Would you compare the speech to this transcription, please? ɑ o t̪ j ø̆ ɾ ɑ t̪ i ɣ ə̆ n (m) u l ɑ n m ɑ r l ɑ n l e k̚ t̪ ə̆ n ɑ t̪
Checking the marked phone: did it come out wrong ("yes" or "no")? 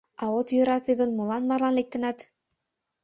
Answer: no